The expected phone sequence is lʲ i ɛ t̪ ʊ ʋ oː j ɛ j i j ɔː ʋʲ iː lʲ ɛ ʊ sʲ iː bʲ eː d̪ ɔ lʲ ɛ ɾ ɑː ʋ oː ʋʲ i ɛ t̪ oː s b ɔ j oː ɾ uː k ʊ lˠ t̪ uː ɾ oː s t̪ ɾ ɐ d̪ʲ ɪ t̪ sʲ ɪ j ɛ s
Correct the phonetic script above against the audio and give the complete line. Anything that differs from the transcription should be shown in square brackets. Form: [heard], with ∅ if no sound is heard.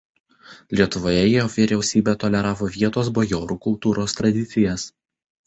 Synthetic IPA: lʲ i ɛ t̪ ʊ ʋ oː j ɛ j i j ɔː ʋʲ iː [ɾʲ] ɛ ʊ sʲ iː bʲ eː [t̪] ɔ lʲ ɛ ɾ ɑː ʋ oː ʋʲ i ɛ t̪ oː s b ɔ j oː ɾ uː k ʊ lˠ t̪ uː ɾ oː s t̪ ɾ ɐ d̪ʲ ɪ t̪ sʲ ɪ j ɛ s